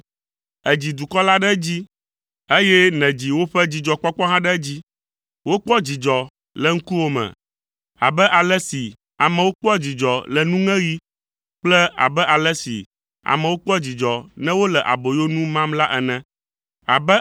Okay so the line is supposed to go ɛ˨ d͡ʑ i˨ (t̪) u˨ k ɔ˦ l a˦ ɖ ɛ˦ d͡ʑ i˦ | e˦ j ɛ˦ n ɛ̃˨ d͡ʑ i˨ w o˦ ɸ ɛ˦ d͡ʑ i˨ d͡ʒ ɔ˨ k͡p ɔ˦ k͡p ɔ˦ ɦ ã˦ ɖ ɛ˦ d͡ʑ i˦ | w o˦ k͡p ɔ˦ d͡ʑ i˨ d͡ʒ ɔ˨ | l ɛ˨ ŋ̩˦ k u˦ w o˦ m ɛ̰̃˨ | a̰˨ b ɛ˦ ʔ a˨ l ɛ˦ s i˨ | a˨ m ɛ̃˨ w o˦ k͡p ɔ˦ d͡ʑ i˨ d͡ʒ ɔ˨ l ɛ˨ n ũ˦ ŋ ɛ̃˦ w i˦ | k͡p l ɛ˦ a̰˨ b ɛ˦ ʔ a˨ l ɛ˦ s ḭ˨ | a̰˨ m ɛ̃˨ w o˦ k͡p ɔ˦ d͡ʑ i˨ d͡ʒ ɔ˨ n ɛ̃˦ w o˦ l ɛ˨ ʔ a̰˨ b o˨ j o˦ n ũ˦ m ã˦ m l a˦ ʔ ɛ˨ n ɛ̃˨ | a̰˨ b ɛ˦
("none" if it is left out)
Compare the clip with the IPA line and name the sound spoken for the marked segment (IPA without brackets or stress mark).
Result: d̪